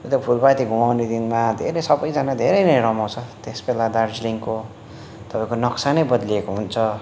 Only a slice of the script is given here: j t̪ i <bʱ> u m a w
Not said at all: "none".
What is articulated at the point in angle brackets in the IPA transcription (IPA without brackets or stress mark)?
ɡʱ